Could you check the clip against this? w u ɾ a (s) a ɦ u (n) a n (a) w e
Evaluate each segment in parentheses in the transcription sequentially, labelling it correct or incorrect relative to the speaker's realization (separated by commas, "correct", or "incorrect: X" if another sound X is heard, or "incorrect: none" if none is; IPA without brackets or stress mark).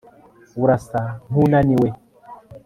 correct, correct, incorrect: i